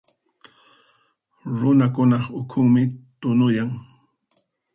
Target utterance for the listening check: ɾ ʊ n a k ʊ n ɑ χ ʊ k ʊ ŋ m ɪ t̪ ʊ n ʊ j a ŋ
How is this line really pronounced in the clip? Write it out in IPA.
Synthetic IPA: ɾ ʊ n a k ʊ n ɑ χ ʊ kʰ ʊ ŋ m ɪ t̪ ʊ n ʊ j a ŋ

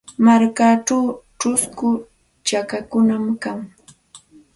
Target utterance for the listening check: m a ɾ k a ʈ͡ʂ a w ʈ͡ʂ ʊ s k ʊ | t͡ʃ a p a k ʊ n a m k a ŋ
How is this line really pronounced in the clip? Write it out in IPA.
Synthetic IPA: m a ɾ k a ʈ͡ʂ a w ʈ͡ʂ ʊ s k ʊ | t͡ʃ a k a k ʊ n a m k a ŋ

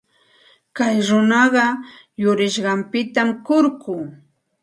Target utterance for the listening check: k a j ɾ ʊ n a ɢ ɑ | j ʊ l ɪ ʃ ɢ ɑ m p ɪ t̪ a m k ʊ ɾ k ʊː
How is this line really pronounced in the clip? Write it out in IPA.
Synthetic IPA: k a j ɾ ʊ n ɑ ɢ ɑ | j ʊ ɾ ɪ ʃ ɢ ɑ m p ɪ t̪ a m k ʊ ɾ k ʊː

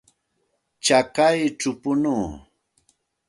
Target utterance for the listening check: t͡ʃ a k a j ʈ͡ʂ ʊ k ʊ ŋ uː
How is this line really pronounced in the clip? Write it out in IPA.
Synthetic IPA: t͡ʃ a k a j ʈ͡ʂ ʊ p ʊ n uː

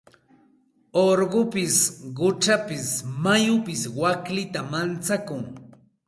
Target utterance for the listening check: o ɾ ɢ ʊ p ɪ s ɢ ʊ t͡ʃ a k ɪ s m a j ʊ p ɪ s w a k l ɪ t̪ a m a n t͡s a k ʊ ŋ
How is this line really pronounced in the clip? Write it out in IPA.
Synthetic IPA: o ɾ ɢ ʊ p ɪ s ɢ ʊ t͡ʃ a p ɪ s m a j ʊ p ɪ s w a k l ɪ t̪ a m a n t͡s a k ʊ ŋ

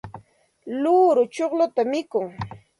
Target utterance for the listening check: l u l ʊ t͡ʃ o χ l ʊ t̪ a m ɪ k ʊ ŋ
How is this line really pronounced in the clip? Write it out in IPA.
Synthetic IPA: l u ɾ ʊ t͡ʃ o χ l ʊ t̪ a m ɪ k ʊ ŋ

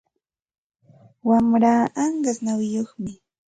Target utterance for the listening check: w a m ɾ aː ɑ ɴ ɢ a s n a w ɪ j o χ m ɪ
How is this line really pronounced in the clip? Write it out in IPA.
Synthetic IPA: w a m ɾ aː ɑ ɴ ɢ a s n a w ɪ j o χ m ɪ

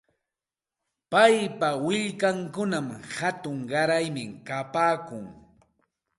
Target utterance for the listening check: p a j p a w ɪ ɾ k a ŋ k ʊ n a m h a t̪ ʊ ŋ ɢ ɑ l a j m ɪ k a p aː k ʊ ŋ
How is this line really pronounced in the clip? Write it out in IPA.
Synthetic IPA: p a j p a w ɪ ʎ k a ŋ k ʊ n a m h a t̪ ʊ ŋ ɢ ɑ ɾ a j m ɪ k a p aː k ʊ ŋ

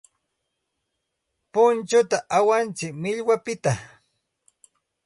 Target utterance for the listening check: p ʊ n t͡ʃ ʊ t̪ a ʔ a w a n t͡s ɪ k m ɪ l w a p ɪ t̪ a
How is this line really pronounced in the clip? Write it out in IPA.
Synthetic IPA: p ʊ n t͡ʃ ʊ t̪ a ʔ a w a n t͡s ɪ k m ɪ ʎ w a p ɪ t̪ a

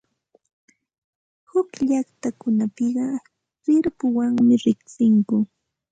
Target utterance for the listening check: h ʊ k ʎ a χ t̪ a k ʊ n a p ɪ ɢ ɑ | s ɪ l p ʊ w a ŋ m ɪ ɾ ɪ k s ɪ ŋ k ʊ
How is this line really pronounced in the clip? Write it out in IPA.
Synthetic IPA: h ʊ k ʎ a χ t̪ a k ʊ n a p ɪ ɢ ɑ | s ɪ ɾ p ʊ w a ŋ m ɪ ɾ ɪ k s ɪ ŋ k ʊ

